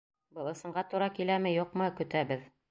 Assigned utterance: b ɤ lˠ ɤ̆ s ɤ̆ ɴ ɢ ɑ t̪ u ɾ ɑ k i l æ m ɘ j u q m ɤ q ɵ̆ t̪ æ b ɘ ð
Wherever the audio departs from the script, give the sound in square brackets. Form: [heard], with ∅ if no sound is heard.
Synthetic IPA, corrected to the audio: b ɤ lˠ ɤ̆ s ɤ̆ ɴ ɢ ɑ t̪ u ɾ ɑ k i l æ m ɘ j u q m ɤ [k] ɵ̆ t̪ æ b ɘ ð